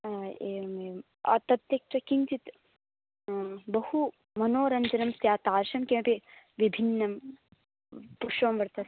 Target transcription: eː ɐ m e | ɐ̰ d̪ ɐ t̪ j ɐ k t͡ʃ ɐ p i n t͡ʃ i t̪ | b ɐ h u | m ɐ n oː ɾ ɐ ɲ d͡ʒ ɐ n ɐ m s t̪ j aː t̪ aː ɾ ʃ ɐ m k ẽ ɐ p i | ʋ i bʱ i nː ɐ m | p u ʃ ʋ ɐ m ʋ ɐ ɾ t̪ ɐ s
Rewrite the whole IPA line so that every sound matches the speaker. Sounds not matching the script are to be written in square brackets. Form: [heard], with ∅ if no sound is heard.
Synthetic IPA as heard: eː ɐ m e | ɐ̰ [t̪] ɐ t̪ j ɐ k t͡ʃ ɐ [k] i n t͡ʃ i t̪ | b ɐ h u | m ɐ n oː ɾ ɐ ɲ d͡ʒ ɐ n ɐ m s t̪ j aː t̪ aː ɾ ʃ ɐ m k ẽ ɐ p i | ʋ i bʱ i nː ɐ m | p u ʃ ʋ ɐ m ʋ ɐ ɾ t̪ ɐ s